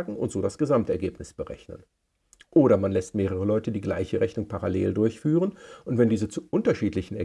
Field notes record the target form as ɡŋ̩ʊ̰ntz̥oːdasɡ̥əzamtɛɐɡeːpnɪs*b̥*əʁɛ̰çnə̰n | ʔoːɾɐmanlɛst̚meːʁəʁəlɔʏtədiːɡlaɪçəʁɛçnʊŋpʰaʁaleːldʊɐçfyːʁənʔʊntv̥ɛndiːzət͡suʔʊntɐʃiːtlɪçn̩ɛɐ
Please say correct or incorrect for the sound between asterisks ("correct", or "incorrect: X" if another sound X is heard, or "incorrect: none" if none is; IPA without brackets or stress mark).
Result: correct